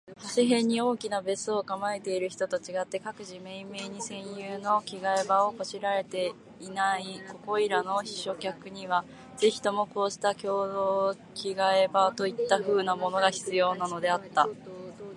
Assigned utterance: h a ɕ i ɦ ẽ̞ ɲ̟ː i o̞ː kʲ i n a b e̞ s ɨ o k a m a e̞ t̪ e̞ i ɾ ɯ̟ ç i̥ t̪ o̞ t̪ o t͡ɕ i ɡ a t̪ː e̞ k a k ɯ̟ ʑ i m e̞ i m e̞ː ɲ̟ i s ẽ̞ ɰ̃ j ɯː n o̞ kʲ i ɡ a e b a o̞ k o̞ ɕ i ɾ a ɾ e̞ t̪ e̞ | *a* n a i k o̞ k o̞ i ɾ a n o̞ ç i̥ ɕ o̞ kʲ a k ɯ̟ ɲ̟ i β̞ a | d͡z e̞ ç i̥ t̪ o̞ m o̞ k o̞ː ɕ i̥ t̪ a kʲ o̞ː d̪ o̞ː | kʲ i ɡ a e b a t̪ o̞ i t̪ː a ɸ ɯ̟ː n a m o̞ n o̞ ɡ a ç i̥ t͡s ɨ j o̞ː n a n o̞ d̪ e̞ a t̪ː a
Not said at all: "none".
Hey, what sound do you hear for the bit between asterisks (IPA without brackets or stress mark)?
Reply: i